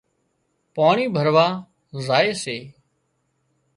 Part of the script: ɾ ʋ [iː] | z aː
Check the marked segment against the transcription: incorrect: aː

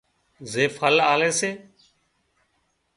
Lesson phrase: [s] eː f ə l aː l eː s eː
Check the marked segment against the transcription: incorrect: z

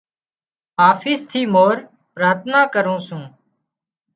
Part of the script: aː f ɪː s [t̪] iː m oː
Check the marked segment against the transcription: incorrect: t̪ʰ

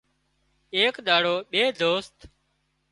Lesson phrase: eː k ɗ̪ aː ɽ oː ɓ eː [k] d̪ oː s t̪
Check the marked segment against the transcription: incorrect: none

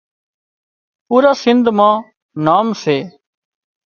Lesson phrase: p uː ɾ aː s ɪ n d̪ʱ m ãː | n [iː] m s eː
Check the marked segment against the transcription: incorrect: aː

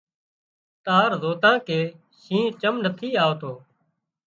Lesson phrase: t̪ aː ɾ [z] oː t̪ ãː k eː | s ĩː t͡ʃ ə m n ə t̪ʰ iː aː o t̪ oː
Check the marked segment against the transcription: correct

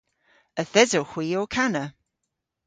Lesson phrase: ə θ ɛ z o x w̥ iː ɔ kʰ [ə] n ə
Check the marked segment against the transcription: incorrect: a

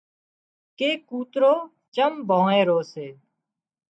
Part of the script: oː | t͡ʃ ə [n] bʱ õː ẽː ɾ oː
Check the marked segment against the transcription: incorrect: m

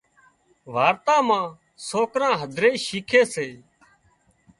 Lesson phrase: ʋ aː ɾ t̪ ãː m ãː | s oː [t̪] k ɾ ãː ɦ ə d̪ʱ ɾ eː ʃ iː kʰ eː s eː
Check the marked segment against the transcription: incorrect: none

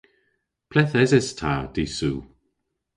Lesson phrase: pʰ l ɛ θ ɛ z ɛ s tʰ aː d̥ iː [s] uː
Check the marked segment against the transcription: correct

